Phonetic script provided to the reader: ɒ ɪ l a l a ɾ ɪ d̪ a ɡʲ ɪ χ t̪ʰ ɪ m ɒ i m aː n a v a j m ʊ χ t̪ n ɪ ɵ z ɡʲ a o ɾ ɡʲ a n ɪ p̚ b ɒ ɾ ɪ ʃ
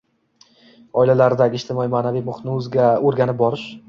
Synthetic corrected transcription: ɒ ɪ l a l a ɾ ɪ d̪ a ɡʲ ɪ ʃ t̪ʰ ɪ m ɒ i m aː n a v i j m ʊ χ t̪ n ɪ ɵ z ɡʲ a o ɾ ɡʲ a n ɪ p̚ b ɒ ɾ ɪ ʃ